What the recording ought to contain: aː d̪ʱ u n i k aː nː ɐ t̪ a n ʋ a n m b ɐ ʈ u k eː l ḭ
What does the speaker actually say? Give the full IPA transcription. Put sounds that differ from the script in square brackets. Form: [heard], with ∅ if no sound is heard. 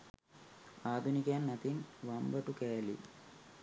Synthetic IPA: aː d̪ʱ u n i k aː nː ɐ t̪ [i] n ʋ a [∅] m b ɐ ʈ u k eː l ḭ